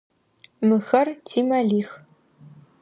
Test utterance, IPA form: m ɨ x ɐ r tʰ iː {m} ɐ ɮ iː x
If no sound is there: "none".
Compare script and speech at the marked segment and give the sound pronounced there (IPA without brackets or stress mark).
m